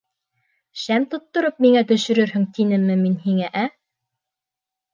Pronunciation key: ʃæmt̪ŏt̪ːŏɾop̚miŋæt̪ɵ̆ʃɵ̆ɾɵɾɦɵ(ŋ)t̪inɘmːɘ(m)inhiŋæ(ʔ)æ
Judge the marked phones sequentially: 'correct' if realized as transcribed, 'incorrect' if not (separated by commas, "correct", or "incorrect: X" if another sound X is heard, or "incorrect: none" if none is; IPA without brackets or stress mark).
correct, correct, correct